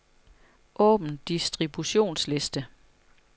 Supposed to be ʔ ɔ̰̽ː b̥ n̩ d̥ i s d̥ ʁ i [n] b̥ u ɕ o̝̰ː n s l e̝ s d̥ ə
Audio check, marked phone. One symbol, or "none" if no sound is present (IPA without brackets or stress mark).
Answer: none